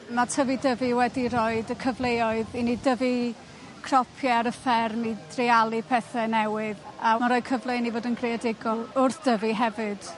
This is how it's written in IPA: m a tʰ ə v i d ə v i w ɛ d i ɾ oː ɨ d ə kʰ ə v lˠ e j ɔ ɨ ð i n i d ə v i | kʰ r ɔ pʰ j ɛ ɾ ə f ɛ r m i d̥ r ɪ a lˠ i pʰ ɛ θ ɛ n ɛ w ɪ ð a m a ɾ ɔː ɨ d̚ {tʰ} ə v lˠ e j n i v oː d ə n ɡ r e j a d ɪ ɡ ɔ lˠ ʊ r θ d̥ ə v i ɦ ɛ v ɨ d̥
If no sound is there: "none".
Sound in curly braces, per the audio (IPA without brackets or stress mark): kʰ